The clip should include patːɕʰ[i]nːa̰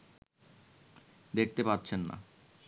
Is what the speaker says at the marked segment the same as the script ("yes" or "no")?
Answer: no